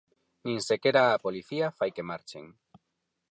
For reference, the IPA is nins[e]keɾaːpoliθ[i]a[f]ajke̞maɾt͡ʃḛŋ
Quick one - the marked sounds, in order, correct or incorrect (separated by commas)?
correct, correct, correct